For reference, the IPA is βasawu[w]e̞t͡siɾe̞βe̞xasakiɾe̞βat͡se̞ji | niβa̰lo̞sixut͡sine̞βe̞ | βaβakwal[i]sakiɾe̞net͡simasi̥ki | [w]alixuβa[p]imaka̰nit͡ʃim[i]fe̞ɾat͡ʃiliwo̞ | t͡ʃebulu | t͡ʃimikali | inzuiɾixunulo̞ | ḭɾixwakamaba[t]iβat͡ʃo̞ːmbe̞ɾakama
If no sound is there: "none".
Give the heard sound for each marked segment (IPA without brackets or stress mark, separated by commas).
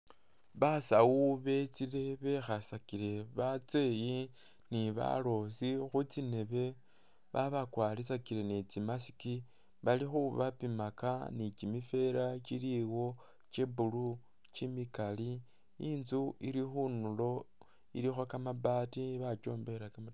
β, i, β, p, i, t